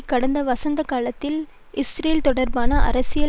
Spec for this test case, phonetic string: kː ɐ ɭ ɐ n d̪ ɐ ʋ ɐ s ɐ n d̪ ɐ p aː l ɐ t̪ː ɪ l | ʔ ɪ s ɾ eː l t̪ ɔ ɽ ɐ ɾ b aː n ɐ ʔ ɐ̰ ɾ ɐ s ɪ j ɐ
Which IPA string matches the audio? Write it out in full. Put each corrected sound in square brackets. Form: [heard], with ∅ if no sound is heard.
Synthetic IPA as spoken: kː ɐ [ɽ] ɐ n d̪ ɐ ʋ ɐ s ɐ n d̪ ɐ [k] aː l ɐ t̪ː ɪ l | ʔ ɪ s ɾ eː l t̪ ɔ ɽ ɐ ɾ b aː n ɐ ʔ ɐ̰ ɾ ɐ s ɪ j ɐ